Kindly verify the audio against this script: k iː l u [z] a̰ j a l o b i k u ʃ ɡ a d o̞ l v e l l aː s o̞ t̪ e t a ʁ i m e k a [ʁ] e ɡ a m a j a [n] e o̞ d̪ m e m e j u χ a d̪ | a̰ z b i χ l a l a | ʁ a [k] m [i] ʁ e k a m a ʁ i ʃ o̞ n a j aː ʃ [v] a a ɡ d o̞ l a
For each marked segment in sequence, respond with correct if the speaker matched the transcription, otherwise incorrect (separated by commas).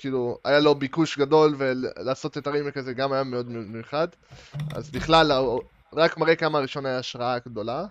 incorrect, incorrect, incorrect, correct, incorrect, incorrect